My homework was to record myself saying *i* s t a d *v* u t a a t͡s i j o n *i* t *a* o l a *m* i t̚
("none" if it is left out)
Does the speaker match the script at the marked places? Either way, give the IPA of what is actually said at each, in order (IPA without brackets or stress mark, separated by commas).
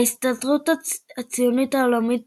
i, ʁ, i, a, m